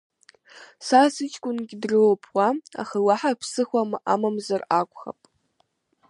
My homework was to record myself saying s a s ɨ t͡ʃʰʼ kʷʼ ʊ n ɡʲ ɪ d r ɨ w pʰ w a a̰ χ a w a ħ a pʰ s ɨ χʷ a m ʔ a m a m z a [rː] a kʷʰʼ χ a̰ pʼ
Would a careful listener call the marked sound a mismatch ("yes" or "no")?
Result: yes